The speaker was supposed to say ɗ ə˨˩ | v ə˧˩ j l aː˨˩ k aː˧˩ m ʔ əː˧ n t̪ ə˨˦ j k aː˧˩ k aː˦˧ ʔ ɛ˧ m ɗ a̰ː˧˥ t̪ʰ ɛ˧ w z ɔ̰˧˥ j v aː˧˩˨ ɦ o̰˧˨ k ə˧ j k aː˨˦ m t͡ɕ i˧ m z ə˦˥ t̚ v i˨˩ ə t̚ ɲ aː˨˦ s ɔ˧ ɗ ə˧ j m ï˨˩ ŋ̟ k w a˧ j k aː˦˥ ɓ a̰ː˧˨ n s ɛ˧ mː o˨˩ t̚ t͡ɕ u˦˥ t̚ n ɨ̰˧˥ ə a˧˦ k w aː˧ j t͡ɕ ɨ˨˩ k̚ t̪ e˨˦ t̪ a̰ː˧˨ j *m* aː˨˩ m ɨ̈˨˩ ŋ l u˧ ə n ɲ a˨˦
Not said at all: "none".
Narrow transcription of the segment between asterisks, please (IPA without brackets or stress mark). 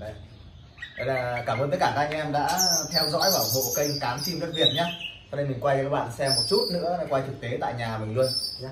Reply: ɲ